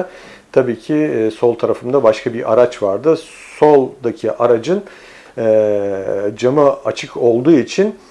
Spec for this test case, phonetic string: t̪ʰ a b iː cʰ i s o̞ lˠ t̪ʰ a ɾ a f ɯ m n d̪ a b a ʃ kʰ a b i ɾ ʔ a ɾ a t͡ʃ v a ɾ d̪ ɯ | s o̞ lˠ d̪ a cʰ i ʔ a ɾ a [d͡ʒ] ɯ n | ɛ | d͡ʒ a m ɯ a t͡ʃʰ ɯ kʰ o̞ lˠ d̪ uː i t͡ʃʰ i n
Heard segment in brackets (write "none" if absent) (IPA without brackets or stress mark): d͡ʒ